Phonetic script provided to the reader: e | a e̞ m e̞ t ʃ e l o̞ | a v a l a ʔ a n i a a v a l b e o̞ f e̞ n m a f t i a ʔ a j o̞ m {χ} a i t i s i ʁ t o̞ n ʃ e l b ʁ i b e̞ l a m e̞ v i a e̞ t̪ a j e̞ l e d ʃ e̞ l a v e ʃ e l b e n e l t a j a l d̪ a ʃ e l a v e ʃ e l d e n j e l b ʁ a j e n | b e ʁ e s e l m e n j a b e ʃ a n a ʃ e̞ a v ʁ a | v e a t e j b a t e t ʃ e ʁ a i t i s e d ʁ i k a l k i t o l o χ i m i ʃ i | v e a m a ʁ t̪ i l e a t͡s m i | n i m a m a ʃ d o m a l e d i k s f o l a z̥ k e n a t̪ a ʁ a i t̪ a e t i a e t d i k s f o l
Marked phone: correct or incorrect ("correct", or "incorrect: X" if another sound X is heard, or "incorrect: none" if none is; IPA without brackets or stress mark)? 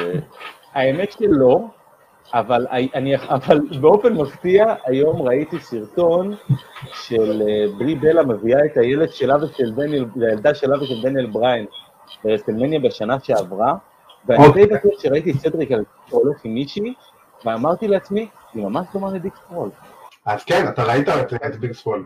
incorrect: ʁ